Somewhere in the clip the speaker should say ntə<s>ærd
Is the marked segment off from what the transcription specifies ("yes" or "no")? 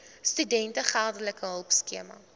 yes